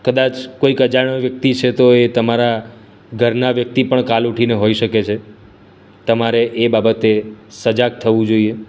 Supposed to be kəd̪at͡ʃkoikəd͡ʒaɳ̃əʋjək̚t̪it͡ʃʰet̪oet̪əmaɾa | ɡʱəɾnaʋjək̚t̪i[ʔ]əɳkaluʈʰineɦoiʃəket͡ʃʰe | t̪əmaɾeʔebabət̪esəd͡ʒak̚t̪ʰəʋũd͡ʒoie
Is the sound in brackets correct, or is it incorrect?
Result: incorrect